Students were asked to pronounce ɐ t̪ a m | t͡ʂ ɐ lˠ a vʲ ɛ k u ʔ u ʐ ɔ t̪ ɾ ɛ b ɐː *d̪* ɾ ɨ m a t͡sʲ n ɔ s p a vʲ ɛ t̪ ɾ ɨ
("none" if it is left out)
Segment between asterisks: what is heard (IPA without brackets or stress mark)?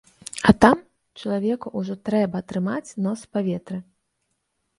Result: t̪